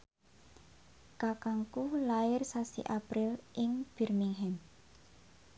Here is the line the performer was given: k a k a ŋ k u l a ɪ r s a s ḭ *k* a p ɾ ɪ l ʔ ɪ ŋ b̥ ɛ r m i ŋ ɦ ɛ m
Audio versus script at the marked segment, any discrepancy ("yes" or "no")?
yes